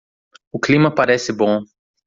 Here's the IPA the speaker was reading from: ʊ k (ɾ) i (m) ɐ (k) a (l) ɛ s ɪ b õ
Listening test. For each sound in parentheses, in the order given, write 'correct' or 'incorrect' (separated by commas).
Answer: incorrect, correct, incorrect, incorrect